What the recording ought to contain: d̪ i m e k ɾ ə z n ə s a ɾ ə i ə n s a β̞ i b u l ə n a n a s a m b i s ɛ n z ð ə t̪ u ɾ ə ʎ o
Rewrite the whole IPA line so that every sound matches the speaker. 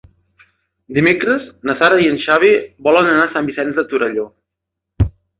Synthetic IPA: d̪ i m e k ɾ ə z n ə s a ɾ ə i ə n ʃ a β̞ i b ɔ l ə n ə n a s a m b i s ɛ n z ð ə t̪ u ɾ ə ʎ o